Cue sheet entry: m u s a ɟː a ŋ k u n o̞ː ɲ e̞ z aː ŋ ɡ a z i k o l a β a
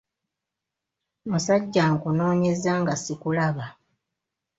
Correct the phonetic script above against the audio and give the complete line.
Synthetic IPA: m u s a ɟː a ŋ k u n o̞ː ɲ e̞ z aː ŋ ɡ a s i k u l a β a